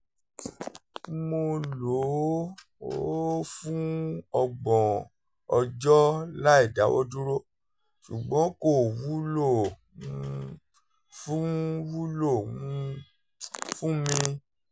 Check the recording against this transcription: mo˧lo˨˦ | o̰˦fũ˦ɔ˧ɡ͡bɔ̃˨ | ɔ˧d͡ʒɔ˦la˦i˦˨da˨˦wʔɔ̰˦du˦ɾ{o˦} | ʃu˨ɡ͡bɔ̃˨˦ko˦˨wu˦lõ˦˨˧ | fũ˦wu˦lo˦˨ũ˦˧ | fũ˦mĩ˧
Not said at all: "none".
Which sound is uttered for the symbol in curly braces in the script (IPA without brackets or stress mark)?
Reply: o˦